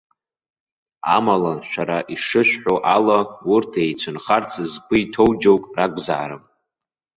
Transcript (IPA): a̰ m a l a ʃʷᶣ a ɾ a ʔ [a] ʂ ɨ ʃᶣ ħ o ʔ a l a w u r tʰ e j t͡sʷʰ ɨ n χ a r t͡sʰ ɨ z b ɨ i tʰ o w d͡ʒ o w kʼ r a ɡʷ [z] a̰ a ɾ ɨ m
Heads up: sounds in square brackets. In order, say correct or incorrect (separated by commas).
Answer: incorrect, correct